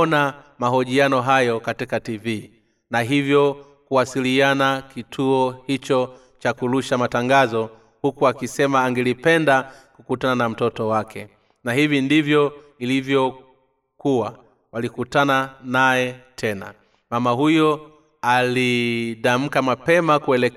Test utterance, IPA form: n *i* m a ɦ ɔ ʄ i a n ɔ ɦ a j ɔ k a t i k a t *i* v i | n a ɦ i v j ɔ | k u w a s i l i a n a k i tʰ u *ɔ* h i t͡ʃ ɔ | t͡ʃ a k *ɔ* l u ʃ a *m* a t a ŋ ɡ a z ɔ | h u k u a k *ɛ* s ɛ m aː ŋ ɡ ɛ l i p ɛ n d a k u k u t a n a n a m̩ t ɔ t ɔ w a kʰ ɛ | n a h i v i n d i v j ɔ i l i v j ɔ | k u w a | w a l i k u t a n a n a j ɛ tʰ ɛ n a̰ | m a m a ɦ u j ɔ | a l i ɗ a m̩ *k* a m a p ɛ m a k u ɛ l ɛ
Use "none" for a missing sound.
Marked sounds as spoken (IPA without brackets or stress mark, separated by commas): a, i, ɔ, u, m, i, k